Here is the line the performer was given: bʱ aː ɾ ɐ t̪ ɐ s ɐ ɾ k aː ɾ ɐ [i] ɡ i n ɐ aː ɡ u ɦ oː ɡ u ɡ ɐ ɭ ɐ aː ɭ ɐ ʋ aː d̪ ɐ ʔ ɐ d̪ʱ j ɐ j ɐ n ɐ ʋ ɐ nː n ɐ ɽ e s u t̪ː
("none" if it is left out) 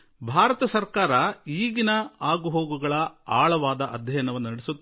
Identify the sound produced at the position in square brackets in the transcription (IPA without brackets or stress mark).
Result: iː